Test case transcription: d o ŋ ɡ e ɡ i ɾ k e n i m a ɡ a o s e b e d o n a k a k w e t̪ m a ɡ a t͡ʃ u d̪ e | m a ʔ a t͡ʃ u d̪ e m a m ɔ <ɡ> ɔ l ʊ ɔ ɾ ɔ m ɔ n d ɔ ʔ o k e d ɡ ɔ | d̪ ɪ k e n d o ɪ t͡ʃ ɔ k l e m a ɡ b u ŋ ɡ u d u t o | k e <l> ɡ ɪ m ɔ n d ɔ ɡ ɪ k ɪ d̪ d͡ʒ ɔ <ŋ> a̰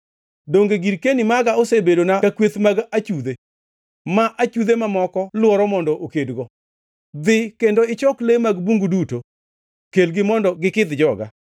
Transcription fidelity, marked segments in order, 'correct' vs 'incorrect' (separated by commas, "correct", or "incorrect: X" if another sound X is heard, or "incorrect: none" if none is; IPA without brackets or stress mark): incorrect: k, correct, incorrect: ɡ